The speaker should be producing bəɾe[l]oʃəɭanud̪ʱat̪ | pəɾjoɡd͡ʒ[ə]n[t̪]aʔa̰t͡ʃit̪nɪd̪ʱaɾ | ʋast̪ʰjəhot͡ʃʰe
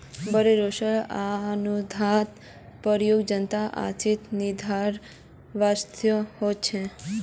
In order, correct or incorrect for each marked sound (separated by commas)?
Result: incorrect, correct, correct